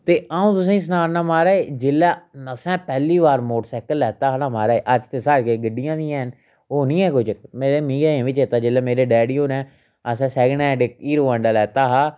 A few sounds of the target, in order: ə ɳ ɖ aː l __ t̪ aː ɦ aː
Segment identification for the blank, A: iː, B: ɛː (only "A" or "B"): B